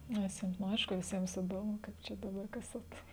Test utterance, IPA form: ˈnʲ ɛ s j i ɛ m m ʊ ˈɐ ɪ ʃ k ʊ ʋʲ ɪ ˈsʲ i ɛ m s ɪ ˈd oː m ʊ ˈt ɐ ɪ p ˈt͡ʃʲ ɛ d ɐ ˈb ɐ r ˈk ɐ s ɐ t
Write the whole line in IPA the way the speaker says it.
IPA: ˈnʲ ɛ s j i ɛ m n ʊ ˈɐ ɪ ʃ k ʊ ʋʲ ɪ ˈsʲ i ɛ m s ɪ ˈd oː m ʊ ˈk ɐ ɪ p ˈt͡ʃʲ ɛ d ɐ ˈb ɐ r ˈk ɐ s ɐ t

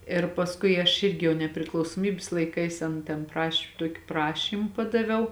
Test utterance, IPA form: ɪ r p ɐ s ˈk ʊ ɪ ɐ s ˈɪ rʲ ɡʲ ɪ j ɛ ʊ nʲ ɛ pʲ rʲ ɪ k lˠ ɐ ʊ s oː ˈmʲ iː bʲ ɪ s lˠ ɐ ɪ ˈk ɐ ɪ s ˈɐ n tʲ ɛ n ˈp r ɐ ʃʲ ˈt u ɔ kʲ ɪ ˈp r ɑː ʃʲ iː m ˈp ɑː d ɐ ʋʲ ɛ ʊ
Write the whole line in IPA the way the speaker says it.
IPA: ɪ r p ɐ s ˈk ʊ ɪ ɐ ʃ ˈɪ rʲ ɡʲ ɪ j ɛ ʊ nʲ ɛ pʲ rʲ ɪ k lˠ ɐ ʊ s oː ˈmʲ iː bʲ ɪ s lˠ ɐ ɪ ˈk ɐ ɪ s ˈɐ n tʲ ɛ n ˈp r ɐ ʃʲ ˈt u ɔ kʲ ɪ ˈp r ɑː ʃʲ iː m ˈp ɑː d ɐ ʋʲ ɛ ʊ

